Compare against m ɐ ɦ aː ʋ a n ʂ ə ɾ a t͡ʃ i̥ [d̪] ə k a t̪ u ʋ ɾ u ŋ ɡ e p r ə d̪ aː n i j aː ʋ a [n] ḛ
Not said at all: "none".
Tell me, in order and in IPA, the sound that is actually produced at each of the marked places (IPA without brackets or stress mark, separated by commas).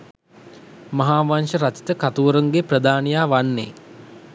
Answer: t̪, nː